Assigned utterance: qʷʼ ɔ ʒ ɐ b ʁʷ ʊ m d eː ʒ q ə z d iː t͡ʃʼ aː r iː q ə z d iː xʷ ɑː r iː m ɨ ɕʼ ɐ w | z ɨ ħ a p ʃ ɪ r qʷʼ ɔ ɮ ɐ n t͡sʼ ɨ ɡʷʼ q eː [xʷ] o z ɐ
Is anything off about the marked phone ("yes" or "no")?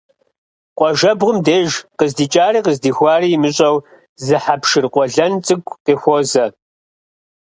no